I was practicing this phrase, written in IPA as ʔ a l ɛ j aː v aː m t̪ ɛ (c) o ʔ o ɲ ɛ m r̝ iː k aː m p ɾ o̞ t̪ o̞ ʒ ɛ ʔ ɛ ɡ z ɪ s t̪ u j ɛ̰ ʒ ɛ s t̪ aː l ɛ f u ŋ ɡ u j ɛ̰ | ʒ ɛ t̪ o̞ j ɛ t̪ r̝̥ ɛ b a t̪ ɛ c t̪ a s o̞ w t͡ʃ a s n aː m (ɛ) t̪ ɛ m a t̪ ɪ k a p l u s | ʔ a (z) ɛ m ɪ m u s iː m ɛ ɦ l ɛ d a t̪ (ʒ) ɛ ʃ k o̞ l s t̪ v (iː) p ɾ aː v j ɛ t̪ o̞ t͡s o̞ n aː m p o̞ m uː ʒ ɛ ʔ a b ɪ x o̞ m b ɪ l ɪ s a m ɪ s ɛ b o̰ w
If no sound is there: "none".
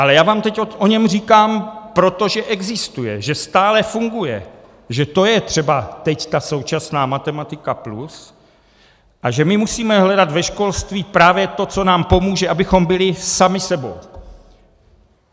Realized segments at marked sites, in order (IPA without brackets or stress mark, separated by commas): c, a, ʒ, v, iː